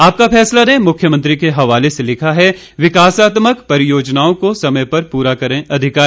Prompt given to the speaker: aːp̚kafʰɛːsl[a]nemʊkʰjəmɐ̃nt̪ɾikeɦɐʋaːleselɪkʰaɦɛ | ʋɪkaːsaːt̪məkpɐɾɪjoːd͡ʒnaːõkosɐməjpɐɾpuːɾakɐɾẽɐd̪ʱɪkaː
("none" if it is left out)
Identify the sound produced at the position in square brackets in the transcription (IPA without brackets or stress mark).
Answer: a